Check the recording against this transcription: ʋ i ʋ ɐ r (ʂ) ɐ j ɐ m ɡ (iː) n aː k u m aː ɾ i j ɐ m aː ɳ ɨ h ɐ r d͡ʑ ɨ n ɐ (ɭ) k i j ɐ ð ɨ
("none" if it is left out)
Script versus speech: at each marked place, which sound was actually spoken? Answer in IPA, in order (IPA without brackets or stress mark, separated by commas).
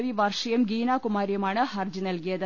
ʂ, iː, l